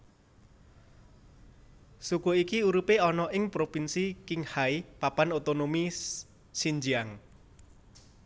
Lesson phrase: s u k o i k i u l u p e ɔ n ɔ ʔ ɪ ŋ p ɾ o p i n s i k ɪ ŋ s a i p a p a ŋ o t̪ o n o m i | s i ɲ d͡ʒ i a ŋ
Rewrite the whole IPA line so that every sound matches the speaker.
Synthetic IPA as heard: s u k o i k i u ɾ u p e ɔ n ɔ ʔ ɪ ŋ p ɾ o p i n s i k ɪ ŋ h a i p a p a n o t̪ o n o m i | s i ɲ d͡ʒ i a ŋ